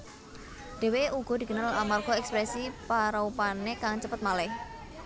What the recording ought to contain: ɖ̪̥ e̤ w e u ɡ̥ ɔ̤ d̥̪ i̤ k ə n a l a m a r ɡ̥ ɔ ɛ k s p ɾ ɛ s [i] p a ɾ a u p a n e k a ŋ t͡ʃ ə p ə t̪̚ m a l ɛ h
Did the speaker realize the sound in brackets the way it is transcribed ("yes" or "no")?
yes